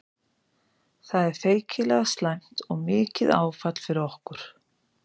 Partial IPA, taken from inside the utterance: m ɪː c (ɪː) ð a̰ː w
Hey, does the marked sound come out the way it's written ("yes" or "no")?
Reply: no